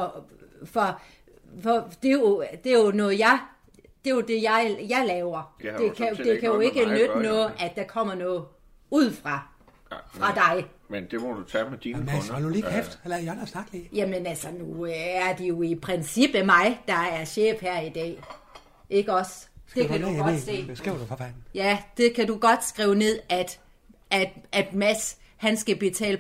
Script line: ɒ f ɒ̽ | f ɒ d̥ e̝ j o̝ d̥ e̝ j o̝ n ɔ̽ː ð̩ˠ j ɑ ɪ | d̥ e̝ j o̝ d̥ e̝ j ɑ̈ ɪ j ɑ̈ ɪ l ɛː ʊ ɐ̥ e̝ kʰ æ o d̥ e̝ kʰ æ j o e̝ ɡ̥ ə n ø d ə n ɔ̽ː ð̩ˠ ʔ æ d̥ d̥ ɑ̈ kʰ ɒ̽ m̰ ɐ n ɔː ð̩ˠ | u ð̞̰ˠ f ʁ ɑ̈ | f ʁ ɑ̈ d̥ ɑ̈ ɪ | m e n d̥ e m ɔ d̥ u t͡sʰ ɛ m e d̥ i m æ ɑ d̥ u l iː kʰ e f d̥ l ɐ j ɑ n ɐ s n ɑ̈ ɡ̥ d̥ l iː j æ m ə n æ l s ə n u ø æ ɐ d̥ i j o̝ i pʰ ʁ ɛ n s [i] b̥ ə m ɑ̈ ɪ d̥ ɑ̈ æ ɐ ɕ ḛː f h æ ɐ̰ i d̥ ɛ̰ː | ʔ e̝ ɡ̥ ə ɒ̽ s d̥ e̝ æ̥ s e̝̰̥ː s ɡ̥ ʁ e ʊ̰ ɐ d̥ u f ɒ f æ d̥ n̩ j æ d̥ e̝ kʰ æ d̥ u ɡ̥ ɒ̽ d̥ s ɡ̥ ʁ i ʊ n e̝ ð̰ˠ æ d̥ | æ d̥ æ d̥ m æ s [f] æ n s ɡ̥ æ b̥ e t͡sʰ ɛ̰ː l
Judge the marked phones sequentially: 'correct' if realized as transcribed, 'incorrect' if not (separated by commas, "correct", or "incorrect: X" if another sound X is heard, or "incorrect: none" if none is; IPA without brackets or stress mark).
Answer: correct, incorrect: h